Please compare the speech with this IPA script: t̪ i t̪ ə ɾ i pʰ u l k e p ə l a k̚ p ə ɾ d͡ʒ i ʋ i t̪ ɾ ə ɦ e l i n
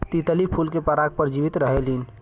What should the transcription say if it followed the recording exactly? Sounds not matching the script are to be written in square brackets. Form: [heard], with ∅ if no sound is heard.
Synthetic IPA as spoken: t̪ i t̪ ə [l] i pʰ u l k e p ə [ɾ] a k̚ p ə ɾ d͡ʒ i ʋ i t̪ ɾ ə ɦ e l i n

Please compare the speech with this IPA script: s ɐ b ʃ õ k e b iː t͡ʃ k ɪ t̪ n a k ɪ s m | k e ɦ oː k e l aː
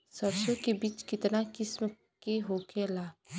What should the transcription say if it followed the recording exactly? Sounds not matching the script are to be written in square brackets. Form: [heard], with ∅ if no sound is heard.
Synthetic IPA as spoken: s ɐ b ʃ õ k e b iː t͡ʃ k ɪ t̪ n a k ɪ s m | k e ɦ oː k e l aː

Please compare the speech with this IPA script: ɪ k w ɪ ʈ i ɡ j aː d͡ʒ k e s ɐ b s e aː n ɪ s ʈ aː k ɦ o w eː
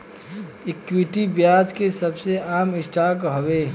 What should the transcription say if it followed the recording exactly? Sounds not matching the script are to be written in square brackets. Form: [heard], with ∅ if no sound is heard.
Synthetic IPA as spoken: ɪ k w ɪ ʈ i [b] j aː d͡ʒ k e s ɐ b s e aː [m] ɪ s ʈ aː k ɦ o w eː

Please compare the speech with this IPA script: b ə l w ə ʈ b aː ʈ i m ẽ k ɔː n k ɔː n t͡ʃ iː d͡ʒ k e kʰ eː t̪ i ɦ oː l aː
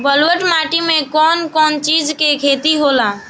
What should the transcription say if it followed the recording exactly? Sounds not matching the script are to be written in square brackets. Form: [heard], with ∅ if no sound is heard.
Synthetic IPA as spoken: b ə l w ə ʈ [m] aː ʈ i m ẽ k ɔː n k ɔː n t͡ʃ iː d͡ʒ k e kʰ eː t̪ i ɦ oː l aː

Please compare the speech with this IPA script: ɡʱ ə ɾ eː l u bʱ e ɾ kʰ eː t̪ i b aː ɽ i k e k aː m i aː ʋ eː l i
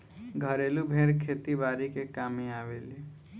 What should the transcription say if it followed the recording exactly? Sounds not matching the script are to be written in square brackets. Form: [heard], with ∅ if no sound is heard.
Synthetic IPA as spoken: ɡʱ ə ɾ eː l u bʱ e ɾ kʰ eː t̪ i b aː [ɾ] i k e k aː m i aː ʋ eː l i

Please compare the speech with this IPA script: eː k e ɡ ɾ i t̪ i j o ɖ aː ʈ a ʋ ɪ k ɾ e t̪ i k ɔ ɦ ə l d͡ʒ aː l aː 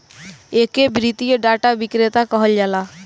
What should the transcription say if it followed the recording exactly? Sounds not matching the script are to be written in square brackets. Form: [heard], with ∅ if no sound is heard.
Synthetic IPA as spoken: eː k e [b] ɾ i t̪ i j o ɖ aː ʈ a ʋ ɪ k ɾ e t̪ [a] k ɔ ɦ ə l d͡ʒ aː l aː

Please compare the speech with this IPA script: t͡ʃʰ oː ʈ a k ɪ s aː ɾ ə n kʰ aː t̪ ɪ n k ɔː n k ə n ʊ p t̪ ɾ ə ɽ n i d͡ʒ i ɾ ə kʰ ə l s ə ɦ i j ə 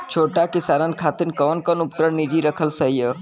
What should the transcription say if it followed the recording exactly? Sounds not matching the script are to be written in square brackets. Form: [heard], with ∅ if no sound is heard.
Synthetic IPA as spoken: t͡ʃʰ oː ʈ a k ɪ s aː ɾ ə n kʰ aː t̪ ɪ n k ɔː n k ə n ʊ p t̪ ɾ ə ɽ n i d͡ʒ i ɾ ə kʰ ə l s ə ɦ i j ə

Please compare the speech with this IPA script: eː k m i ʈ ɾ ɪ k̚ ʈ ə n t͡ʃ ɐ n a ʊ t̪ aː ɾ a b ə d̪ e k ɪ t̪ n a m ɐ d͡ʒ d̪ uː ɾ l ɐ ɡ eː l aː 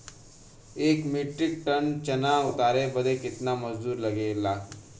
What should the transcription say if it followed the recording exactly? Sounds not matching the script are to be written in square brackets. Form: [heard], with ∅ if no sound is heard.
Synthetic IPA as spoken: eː k m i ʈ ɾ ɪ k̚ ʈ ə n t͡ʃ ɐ n a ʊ t̪ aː ɾ [e] b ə d̪ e k ɪ t̪ n a m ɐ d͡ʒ d̪ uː ɾ l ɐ ɡ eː l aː

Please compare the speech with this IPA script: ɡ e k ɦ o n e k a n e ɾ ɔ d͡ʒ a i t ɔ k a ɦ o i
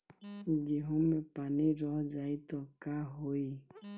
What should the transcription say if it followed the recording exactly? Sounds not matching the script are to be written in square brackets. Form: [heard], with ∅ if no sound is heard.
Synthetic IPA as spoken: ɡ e [∅] ɦ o [m] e [p] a n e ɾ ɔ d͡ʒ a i t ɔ k a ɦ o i

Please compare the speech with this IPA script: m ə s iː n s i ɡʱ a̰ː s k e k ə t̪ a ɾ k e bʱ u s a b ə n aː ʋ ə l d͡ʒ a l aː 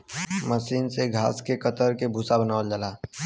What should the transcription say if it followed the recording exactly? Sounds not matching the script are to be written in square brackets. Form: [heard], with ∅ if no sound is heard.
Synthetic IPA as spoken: m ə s iː n s [e] ɡʱ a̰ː s k e k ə t̪ [ə] ɾ k e bʱ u s a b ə n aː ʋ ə l d͡ʒ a l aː

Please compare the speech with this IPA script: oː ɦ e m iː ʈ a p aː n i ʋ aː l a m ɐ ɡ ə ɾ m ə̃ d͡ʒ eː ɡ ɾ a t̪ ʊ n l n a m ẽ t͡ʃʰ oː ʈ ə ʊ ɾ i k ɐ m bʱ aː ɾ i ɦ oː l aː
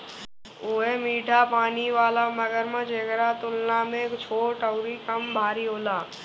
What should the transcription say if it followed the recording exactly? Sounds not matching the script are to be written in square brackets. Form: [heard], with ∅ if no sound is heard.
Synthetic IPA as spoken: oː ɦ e m iː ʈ a p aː n i ʋ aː l a m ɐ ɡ ə ɾ m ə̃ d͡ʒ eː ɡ ɾ a t̪ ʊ [∅] l n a m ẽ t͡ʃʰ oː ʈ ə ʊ ɾ i k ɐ m bʱ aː ɾ i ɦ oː l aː

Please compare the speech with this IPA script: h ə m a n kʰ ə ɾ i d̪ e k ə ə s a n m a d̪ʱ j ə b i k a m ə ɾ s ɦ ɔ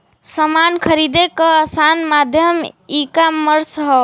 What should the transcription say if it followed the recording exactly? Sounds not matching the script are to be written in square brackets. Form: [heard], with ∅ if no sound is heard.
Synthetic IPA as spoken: [s] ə m a n kʰ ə ɾ i d̪ e k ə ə s a n m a d̪ʱ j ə [m] i k a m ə ɾ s ɦ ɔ

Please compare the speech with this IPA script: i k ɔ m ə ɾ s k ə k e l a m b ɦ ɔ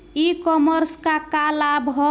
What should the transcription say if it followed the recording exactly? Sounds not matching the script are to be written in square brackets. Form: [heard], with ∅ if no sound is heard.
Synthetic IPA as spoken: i k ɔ m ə ɾ s k [a] k [a] l a [∅] b ɦ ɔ

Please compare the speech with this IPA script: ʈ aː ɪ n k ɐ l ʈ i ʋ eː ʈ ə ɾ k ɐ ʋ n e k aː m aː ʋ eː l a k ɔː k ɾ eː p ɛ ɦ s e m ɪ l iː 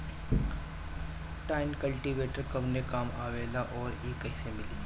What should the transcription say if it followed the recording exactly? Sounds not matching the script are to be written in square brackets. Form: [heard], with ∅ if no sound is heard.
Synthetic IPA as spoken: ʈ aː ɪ n k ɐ l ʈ i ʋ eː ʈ ə ɾ k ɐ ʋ n e k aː m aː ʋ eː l a [ʔ] ɔː [∅] ɾ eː [k] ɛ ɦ s e m ɪ l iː

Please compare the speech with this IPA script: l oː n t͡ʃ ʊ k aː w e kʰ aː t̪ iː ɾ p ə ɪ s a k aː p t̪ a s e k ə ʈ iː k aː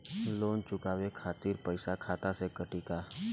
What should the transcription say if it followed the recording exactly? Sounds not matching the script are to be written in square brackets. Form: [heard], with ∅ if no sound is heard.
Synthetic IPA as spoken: l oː n t͡ʃ ʊ k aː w e kʰ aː t̪ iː ɾ p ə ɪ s a [kʰ] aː [∅] t̪ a s e k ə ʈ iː k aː

